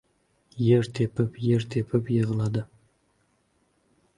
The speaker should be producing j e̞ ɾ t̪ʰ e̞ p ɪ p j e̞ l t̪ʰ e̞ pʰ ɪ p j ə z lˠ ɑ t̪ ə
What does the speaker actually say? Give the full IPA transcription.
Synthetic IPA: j e̞ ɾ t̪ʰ e̞ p ɪ p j e̞ ɾ t̪ʰ e̞ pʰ ɪ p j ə ʁ lˠ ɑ d̪ ə